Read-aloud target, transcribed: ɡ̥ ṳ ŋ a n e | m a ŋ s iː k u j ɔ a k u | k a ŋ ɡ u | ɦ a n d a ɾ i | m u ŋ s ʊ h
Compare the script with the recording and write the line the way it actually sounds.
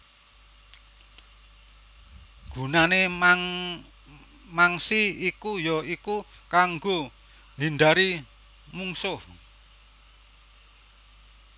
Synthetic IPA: ɡ̥ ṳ n a n e | m a ŋ s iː k u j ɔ i k u | k a ŋ ɡ o | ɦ i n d a ɾ i | m u ŋ s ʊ h